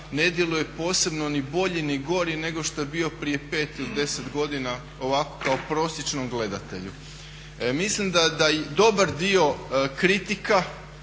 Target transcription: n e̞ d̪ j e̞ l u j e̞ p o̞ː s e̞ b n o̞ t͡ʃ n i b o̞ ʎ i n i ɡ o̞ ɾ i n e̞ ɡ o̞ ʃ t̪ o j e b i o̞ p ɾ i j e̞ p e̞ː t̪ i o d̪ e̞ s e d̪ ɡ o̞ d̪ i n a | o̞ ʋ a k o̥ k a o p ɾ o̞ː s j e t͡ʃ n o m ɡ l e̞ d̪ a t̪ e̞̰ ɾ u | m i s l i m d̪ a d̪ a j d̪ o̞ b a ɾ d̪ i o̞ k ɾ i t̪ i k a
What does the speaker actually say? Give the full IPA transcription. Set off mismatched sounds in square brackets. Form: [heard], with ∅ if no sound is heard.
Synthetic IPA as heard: n e̞ d̪ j e̞ l u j e̞ p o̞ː s e̞ b n o̞ [∅] n i b o̞ ʎ i n i ɡ o̞ ɾ i n e̞ ɡ o̞ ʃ t̪ o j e b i o̞ p ɾ i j e̞ p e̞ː t̪ i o d̪ e̞ s e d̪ ɡ o̞ d̪ i n a | o̞ ʋ a k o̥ k a o p ɾ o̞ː s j e t͡ʃ n o m ɡ l e̞ d̪ a t̪ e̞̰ [ʎ] u | m i s l i m d̪ a d̪ a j d̪ o̞ b a ɾ d̪ i o̞ k ɾ i t̪ i k a